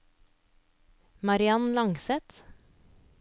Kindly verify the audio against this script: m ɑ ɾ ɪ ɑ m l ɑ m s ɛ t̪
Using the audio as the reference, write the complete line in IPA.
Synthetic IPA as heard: m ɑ ɾ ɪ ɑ n l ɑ ŋ s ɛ t̪